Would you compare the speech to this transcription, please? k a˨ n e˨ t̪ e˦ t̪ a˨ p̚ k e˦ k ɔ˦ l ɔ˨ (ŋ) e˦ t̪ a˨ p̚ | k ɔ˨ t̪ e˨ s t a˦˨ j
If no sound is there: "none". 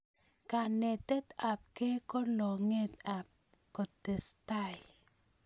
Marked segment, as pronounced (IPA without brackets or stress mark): ŋ